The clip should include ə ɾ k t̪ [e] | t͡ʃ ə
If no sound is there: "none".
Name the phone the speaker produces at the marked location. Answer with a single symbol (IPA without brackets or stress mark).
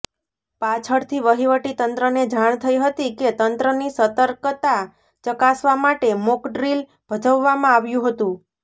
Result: a